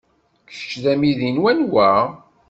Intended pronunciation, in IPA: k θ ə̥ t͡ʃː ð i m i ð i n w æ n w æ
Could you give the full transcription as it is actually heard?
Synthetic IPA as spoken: k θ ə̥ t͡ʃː ð æ m i ð i n w æ n w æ